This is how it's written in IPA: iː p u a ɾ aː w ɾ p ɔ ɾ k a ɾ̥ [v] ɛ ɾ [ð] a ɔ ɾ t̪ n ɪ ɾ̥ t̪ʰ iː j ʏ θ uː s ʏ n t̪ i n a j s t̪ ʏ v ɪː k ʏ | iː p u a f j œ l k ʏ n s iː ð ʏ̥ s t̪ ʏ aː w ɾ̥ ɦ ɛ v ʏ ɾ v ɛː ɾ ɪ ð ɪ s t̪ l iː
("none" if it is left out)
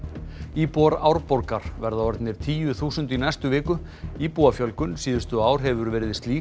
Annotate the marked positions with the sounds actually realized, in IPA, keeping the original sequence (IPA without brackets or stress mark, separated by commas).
v, ð